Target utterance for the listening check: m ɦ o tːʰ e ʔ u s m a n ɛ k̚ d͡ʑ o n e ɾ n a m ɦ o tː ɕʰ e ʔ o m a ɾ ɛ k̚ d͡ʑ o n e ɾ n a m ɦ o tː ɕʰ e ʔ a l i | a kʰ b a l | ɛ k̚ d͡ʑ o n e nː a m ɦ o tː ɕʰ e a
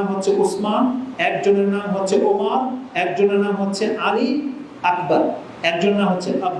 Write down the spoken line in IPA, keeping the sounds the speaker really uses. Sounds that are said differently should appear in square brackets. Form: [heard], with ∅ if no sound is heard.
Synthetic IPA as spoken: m ɦ o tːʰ e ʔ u s m a n ɛ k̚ d͡ʑ o n e ɾ n a m ɦ o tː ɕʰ e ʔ o m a ɾ ɛ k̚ d͡ʑ o n e ɾ n a m ɦ o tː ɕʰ e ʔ a l i | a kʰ b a [ɾ] | ɛ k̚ d͡ʑ o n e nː a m ɦ o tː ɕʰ e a